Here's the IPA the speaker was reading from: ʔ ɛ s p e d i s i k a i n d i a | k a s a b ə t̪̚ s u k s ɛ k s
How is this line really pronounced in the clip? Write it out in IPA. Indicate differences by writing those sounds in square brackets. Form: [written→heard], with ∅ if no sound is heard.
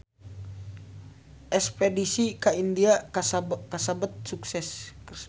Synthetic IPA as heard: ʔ ɛ s p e d i s i k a i n d i a | k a s a b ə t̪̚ s u k s ɛ [k→∅] s